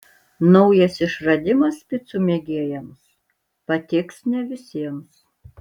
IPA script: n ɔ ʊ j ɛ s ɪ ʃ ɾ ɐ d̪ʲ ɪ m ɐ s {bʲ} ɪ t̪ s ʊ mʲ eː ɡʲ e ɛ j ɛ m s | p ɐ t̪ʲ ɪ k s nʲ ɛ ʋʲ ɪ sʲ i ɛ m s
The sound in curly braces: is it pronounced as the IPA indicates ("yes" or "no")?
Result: no